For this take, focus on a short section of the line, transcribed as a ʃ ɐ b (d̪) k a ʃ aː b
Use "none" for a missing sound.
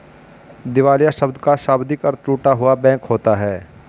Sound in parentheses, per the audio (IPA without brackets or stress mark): d̪